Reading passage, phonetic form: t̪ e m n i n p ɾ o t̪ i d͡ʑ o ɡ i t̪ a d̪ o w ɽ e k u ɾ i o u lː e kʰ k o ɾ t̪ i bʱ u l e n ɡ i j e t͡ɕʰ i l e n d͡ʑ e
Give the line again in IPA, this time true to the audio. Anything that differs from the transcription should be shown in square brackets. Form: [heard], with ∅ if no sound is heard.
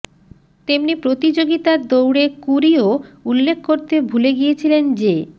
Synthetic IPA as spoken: t̪ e m n i [∅] p ɾ o t̪ i d͡ʑ o ɡ i t̪ a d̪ o w ɽ e k u ɾ i o u lː e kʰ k o ɾ t̪ [e] bʱ u l e [∅] ɡ i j e t͡ɕʰ i l e n d͡ʑ e